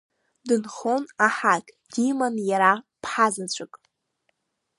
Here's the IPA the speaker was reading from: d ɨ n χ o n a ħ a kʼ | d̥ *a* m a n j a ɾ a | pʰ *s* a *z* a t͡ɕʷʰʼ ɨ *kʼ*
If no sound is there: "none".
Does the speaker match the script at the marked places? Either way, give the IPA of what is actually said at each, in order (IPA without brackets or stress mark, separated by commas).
i, ħ, z, kʼ